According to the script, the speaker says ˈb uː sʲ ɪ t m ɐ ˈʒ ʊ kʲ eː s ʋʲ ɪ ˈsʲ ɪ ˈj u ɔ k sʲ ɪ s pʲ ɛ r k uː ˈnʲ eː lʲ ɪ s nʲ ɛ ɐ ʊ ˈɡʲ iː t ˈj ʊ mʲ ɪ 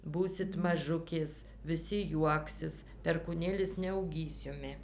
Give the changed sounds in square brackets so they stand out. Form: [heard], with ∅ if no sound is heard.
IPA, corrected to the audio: ˈb uː sʲ ɪ t m ɐ ˈʒ ʊ kʲ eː s ʋʲ ɪ ˈsʲ ɪ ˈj u ɔ k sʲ ɪ s pʲ ɛ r k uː ˈnʲ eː lʲ ɪ s nʲ ɛ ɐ ʊ ˈɡʲ iː [s] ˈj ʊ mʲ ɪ